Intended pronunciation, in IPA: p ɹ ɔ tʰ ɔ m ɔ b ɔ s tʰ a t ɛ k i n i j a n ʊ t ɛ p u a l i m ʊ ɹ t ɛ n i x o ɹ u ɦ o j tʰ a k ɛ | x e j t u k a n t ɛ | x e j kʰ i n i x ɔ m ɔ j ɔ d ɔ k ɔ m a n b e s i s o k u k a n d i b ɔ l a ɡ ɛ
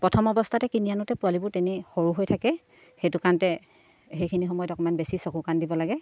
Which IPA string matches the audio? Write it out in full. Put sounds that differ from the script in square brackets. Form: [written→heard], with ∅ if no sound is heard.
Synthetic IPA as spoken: p ɹ ɔ tʰ ɔ m ɔ b ɔ s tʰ a t ɛ k i n i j a n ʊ t ɛ p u a l i [m→b] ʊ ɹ t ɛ n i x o ɹ u ɦ o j tʰ a k ɛ | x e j t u k a n t ɛ | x e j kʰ i n i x ɔ m ɔ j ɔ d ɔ k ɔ m a n b e s i s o k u k a n d i b ɔ l a ɡ ɛ